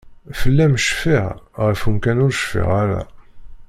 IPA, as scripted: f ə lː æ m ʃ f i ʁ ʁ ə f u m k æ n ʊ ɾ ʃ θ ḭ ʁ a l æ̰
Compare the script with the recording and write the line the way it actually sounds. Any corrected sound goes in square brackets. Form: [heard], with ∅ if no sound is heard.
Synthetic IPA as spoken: f ə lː æ m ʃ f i ʁ ʁ ə f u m k æ n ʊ ɾ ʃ [f] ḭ ʁ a [ɾ] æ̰